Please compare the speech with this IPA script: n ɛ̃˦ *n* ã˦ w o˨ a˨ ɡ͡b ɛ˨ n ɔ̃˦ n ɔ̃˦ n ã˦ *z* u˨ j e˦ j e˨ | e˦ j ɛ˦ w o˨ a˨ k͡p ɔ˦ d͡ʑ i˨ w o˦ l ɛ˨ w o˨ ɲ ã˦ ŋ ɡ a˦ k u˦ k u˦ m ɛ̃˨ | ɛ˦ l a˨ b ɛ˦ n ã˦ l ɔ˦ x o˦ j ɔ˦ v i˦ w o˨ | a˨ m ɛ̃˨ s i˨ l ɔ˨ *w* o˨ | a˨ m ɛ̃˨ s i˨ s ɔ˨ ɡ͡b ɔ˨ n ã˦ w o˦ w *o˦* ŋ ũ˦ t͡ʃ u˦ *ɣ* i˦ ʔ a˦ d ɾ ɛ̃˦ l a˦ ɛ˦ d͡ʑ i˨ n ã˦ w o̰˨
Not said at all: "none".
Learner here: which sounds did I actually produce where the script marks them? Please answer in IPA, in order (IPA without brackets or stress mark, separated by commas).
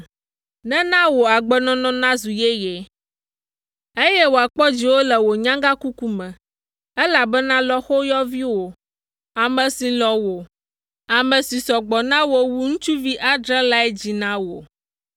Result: n, z, w, u˦, v